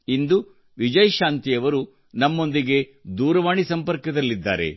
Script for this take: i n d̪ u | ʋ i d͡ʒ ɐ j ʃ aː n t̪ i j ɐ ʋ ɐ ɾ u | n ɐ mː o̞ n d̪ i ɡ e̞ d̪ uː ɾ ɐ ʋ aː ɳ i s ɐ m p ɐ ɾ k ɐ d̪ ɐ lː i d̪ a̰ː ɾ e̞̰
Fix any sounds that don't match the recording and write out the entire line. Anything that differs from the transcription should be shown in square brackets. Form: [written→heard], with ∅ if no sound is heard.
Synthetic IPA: i n d̪ u | ʋ i d͡ʒ ɐ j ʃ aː n t̪ i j ɐ ʋ ɐ ɾ u | n ɐ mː o̞ n d̪ i ɡ e̞ d̪ uː ɾ ɐ ʋ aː ɳ i s ɐ m p ɐ ɾ k ɐ d̪ ɐ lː i [d̪→d̪ː] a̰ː ɾ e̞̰